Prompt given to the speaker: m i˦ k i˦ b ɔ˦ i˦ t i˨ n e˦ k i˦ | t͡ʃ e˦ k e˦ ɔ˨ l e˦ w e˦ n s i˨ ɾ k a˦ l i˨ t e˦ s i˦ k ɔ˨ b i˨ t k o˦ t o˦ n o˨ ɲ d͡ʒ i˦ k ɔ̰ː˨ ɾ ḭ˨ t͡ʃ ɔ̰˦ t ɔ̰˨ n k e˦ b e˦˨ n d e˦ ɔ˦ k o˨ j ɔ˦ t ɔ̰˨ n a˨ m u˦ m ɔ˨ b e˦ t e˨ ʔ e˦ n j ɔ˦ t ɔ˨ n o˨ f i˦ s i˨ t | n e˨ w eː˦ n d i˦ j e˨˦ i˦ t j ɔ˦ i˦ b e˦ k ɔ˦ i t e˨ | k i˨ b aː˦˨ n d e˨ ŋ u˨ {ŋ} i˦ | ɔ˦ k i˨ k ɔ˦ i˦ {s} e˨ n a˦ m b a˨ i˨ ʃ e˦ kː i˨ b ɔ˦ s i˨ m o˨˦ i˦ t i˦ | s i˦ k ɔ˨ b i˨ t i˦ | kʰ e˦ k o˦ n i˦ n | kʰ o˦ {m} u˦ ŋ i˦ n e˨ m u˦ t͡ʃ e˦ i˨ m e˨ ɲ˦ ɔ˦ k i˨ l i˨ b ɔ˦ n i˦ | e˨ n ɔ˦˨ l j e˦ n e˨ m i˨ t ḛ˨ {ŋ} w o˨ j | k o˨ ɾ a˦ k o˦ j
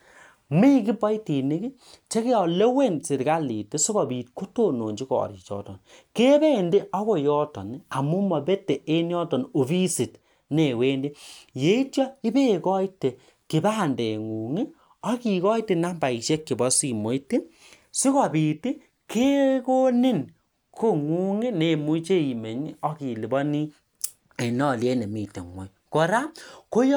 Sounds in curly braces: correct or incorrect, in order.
correct, incorrect: t, incorrect: ŋ, correct

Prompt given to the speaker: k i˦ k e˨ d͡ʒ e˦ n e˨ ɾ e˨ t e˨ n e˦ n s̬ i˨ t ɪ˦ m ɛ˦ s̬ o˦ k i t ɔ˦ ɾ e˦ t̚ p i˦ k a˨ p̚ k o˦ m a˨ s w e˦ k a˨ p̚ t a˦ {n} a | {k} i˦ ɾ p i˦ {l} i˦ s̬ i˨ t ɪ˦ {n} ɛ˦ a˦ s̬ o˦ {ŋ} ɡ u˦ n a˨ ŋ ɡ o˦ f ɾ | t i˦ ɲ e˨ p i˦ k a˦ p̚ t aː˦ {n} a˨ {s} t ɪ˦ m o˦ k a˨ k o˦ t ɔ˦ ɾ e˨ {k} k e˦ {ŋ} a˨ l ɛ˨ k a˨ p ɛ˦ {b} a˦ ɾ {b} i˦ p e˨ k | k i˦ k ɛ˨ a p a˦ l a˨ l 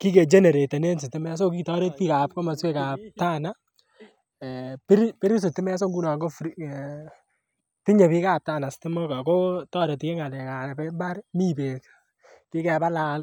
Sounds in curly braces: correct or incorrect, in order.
correct, incorrect: p, incorrect: ɾ, incorrect: m, correct, correct, correct, incorrect: t, correct, correct, incorrect: m

